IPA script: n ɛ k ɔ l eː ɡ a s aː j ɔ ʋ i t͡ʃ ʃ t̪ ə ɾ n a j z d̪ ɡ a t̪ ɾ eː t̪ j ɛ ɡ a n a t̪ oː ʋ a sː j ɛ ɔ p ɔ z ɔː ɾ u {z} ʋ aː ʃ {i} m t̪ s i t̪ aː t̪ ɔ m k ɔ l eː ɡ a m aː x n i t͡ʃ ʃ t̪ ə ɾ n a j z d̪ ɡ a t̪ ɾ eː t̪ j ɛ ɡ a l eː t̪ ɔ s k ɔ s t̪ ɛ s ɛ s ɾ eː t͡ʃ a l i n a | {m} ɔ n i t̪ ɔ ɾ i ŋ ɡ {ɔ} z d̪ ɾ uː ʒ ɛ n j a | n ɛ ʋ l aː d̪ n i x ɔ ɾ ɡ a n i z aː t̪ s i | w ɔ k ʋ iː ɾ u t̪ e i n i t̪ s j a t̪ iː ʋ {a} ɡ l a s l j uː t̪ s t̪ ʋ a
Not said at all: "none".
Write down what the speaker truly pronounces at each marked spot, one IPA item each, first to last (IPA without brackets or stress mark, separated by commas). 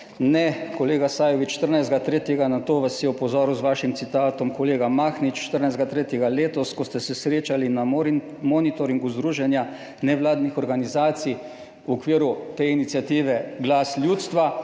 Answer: z, i, m, u, ɛ